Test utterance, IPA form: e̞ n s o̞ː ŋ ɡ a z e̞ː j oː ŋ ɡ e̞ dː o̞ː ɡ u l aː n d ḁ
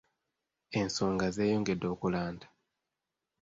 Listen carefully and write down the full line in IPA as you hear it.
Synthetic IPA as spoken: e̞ n s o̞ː ŋ ɡ a z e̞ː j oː ŋ ɡ e̞ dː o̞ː k u l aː n d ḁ